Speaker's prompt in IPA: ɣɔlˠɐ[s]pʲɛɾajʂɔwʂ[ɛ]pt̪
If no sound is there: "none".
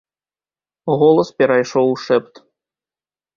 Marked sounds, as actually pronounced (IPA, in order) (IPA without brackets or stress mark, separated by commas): s, ɛ